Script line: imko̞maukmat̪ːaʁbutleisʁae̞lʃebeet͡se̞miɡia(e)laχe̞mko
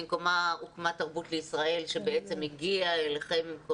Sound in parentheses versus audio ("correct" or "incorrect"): correct